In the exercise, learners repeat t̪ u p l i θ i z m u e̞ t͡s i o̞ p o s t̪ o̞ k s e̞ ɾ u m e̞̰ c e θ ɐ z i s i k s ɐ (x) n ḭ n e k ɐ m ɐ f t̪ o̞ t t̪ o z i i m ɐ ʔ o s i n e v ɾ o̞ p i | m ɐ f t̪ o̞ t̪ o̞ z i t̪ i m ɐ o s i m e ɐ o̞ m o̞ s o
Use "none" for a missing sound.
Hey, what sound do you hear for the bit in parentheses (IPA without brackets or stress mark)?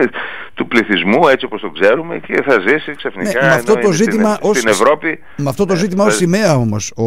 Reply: f